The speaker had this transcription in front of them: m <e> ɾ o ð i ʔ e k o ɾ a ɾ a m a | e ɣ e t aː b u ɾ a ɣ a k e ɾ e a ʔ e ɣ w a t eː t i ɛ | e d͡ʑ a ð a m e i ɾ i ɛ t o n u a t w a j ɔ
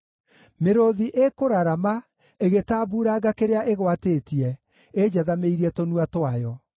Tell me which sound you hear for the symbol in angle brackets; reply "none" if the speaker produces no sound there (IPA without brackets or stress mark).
e